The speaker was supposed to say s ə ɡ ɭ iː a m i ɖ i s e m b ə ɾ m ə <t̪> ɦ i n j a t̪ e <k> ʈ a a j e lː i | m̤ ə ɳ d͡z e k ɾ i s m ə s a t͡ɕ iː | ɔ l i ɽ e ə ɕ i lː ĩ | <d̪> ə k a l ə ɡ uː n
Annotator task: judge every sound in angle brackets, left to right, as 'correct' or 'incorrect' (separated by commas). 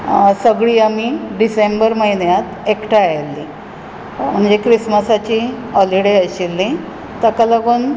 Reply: incorrect, correct, incorrect